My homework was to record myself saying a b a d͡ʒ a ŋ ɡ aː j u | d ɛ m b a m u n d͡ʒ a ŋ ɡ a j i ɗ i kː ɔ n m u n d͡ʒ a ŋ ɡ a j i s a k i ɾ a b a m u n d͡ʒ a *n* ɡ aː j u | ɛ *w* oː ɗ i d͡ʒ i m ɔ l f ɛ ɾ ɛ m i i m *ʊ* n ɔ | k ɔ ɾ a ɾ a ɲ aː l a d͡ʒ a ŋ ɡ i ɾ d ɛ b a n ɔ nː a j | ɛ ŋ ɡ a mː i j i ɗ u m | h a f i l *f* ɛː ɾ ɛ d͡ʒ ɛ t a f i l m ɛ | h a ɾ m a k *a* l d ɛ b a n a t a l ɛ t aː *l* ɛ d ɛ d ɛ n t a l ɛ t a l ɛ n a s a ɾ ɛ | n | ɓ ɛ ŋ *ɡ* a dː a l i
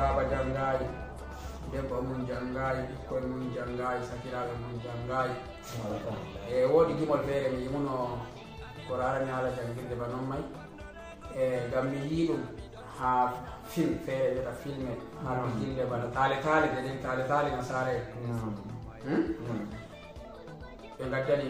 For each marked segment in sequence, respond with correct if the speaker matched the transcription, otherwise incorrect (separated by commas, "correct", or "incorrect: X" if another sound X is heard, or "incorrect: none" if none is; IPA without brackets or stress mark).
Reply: incorrect: ŋ, correct, incorrect: u, correct, incorrect: i, correct, correct